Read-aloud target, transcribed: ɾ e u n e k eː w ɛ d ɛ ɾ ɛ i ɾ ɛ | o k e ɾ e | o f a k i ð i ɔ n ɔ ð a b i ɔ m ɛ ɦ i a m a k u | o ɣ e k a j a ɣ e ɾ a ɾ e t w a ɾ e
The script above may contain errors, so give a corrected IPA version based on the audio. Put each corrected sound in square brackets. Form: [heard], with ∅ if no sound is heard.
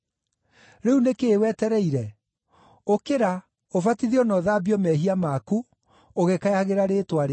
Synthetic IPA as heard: ɾ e u n e k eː w ɛ [t] ɛ ɾ ɛ i ɾ ɛ | o k e ɾ [a] | o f a [t] i ð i ɔ n ɔ ð a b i ɔ m ɛ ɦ i a m a k u | o ɣ e k a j a ɣ e ɾ a ɾ e t w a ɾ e

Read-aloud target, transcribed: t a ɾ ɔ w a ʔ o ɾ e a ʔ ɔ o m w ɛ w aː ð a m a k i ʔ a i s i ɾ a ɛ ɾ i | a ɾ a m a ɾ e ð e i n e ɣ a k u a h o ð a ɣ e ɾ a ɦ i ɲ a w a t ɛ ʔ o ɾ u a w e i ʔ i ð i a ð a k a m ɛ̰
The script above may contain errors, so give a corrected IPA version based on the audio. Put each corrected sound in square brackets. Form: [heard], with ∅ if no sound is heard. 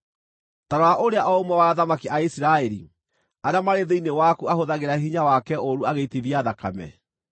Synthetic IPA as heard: t a ɾ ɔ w a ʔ o ɾ e a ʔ ɔ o m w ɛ w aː ð a m a k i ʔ a i s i ɾ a ɛ ɾ i | a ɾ a m a ɾ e ð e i n e [w] a k u a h o ð a ɣ e ɾ a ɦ i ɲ a w a [k] ɛ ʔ o ɾ u a [ɣ] e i [t] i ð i a ð a k a m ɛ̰

